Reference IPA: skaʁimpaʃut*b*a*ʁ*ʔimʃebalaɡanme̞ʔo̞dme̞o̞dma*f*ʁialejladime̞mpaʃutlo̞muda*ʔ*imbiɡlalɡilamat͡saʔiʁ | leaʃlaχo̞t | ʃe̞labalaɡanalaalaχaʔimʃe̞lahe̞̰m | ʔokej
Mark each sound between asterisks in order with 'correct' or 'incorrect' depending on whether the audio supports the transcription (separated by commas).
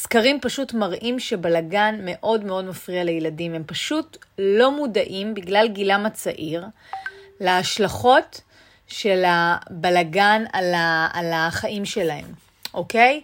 incorrect, correct, correct, correct